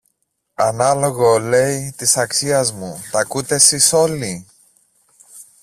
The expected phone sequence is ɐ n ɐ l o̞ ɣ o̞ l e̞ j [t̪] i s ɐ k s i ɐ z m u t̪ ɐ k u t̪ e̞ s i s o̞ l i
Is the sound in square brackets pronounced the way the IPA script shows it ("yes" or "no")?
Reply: yes